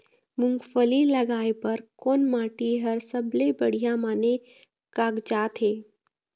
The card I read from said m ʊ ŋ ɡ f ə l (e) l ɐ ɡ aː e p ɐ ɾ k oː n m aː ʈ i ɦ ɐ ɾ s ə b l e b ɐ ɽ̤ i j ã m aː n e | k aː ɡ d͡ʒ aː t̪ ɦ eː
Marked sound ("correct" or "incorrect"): incorrect